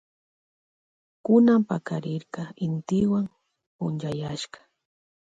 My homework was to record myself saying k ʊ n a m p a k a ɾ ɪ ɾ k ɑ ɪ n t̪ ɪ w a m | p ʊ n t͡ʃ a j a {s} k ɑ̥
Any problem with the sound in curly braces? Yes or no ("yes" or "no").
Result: yes